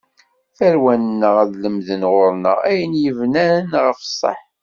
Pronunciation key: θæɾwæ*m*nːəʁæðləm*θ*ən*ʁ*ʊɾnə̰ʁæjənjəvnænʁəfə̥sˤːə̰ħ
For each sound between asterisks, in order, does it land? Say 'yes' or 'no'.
no, no, yes

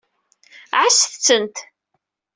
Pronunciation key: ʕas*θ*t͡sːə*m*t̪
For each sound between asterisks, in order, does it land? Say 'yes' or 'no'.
yes, no

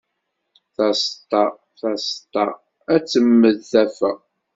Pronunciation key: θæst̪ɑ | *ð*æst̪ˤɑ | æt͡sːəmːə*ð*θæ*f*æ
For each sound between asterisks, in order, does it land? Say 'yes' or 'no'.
no, yes, yes

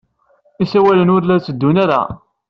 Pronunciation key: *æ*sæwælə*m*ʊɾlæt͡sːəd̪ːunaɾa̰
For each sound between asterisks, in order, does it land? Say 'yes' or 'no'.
no, no

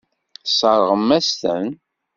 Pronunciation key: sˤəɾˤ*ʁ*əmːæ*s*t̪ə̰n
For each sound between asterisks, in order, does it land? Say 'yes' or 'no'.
yes, yes

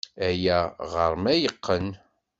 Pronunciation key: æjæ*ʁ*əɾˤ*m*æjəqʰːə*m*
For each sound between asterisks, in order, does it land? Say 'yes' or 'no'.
yes, yes, no

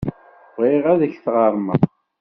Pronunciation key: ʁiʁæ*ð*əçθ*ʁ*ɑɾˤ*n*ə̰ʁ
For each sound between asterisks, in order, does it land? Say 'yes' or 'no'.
yes, yes, no

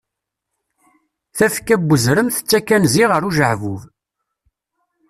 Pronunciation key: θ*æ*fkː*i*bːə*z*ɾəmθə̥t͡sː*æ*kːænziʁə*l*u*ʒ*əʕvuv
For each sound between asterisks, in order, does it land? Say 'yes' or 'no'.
yes, no, yes, yes, no, yes

